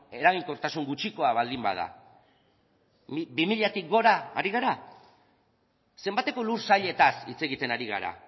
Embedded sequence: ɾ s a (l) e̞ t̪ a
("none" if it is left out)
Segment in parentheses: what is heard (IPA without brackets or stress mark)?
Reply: ʎ